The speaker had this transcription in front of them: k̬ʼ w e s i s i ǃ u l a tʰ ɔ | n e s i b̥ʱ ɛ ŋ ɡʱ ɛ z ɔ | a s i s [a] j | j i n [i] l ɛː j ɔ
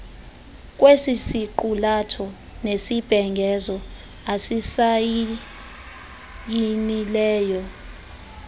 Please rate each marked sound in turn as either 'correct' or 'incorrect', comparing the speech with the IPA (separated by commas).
correct, correct